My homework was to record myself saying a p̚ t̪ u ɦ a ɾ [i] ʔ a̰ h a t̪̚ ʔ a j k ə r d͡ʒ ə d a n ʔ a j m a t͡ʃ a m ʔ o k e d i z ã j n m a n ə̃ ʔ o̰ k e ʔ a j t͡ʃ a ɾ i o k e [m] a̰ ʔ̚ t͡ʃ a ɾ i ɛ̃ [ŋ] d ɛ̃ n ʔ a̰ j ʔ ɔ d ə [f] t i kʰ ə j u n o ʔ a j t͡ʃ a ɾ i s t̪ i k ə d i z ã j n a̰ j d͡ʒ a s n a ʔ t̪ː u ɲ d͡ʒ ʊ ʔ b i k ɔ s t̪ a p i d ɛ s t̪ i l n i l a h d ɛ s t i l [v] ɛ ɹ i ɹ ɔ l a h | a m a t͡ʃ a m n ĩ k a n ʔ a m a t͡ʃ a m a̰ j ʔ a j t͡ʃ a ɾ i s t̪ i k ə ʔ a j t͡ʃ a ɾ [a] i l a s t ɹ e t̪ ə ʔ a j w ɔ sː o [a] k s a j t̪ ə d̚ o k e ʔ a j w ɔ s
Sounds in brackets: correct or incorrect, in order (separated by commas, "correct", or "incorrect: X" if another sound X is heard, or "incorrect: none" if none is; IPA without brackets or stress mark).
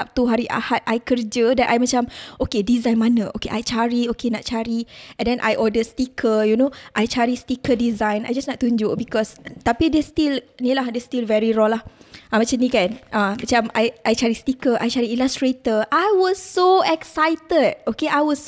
correct, incorrect: n, incorrect: n, incorrect: s, correct, incorrect: i, incorrect: ɛ